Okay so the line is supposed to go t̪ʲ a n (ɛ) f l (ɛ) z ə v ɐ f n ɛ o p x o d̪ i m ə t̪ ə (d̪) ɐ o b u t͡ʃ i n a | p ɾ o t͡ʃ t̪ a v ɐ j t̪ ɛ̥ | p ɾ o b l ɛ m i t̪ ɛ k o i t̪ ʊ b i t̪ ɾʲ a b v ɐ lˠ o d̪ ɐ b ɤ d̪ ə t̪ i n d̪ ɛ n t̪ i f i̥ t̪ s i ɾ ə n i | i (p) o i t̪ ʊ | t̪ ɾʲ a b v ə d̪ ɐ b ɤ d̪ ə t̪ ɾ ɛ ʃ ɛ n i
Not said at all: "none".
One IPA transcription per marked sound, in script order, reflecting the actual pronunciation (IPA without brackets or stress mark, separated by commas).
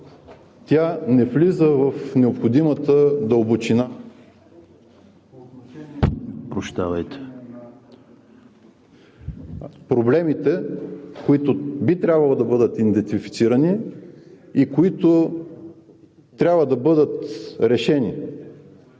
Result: ɛ, i, d̪, k